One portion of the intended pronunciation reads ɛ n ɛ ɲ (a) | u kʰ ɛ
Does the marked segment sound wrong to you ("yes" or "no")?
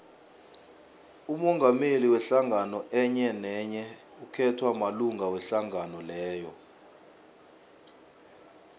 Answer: yes